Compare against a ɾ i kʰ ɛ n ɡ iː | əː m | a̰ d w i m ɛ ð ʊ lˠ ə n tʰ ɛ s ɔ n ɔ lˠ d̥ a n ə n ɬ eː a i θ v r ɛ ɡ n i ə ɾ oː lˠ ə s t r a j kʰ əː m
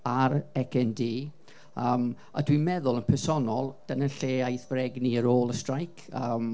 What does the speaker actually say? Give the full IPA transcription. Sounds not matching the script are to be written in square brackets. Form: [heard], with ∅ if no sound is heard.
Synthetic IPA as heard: a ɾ [ɛ] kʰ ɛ n [d] iː | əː m | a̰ d w i m ɛ ð ʊ lˠ ə n [pʰ] ɛ s ɔ n ɔ lˠ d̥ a n ə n ɬ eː a [j] θ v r ɛ ɡ n i ə ɾ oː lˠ ə s t r a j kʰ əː m